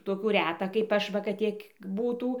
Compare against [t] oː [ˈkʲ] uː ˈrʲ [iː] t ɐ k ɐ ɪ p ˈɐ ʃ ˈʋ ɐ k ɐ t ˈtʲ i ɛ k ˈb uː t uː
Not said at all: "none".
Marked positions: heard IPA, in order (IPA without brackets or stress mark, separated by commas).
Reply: t, kʲ, æː